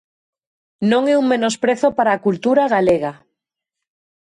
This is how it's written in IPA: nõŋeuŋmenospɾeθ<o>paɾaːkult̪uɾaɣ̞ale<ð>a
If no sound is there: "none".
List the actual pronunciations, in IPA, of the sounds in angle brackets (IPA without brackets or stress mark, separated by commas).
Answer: o, ɣ